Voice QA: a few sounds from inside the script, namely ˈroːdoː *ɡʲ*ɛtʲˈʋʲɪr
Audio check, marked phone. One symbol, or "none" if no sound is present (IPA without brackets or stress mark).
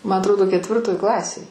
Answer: kʲ